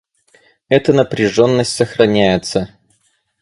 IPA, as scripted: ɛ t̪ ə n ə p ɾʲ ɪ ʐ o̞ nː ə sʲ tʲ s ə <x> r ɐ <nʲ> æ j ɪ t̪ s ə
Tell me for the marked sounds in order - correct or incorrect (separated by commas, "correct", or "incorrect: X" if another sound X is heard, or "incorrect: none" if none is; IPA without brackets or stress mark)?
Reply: correct, correct